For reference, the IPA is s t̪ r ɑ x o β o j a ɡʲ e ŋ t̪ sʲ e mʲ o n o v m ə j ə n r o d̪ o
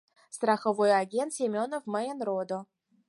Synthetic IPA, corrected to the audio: s t̪ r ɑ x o v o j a ɡʲ e n t̪ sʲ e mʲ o n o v m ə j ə n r o d̪ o